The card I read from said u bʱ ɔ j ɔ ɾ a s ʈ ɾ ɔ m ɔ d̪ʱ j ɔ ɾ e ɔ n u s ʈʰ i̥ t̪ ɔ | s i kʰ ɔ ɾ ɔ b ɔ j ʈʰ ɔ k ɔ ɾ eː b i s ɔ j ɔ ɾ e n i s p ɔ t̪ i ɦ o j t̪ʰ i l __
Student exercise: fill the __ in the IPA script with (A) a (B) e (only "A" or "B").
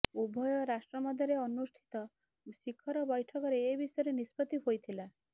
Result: A